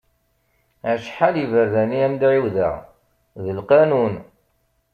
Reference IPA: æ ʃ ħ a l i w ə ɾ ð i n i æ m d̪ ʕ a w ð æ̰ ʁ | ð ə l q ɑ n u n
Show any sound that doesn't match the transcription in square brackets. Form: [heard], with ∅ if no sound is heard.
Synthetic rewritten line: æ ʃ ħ a l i [v] ə ɾ ð [æ] n i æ m d̪ ʕ [i] w ð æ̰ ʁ | ð ə l q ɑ n u n